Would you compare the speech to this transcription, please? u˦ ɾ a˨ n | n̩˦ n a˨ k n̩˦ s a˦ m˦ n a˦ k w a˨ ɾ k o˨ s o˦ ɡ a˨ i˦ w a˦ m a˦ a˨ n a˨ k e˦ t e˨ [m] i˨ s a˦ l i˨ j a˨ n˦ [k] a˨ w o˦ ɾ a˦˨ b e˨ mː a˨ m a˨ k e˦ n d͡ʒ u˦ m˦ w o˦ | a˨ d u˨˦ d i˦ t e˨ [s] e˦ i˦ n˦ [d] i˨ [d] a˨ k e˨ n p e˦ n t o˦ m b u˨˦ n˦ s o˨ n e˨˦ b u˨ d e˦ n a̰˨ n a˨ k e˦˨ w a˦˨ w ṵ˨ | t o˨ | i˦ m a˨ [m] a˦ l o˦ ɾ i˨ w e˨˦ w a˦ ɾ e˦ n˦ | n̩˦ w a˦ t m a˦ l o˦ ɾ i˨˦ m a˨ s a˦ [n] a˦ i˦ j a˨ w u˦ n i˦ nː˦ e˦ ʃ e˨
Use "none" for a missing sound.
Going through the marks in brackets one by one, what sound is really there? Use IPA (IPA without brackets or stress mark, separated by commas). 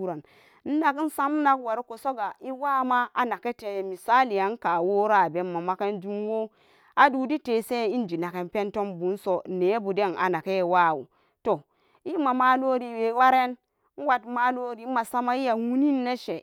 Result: m, k, s, d͡ʒ, n, m, m